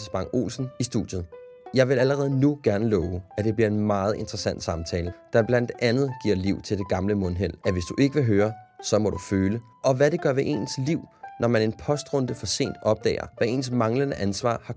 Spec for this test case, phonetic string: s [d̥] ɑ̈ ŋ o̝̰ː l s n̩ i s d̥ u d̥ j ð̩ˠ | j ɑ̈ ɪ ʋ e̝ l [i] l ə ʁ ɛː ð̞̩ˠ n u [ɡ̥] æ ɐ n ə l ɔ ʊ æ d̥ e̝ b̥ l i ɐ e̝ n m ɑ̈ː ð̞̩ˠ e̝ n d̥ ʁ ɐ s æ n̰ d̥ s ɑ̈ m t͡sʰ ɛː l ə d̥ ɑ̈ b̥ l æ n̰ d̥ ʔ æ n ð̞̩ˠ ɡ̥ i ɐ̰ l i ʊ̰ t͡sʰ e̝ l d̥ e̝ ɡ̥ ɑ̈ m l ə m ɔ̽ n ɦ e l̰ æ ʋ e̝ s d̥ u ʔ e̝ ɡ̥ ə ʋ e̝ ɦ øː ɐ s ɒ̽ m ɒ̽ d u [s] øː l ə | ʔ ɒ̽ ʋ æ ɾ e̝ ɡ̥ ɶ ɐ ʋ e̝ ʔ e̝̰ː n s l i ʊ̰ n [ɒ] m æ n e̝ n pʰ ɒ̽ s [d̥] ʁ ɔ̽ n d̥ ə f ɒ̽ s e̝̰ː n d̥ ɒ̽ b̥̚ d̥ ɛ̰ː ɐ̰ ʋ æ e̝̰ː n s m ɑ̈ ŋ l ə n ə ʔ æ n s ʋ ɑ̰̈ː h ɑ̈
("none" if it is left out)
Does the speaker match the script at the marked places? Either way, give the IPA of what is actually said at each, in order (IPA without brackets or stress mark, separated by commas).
b̥, æ, ɡ̥, f, ɒ, d̥